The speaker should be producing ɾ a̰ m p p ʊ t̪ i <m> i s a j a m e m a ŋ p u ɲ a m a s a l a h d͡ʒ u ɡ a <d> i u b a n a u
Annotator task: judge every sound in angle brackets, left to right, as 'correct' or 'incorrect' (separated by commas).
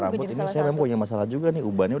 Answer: incorrect, incorrect